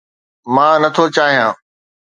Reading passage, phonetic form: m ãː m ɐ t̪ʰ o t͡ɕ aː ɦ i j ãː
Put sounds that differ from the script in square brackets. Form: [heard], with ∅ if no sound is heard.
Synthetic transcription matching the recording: m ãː [n] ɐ t̪ʰ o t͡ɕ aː ɦ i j ãː